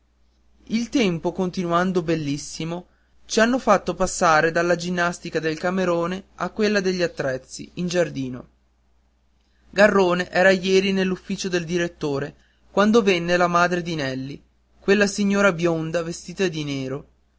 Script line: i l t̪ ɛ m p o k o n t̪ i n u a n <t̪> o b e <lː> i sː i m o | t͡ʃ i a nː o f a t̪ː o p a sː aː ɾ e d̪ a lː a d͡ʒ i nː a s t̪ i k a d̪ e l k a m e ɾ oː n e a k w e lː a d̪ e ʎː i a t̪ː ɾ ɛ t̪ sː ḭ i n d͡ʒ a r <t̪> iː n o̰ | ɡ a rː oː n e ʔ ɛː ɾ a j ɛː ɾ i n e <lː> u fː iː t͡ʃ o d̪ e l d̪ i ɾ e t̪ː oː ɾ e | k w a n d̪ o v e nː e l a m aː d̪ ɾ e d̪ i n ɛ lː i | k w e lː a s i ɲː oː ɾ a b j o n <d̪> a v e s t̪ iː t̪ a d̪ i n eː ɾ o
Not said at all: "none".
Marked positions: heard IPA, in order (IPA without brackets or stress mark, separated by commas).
d̪, lː, d̪, lː, d̪